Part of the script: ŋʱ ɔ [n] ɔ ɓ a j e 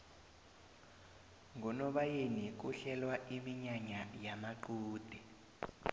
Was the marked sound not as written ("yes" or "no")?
no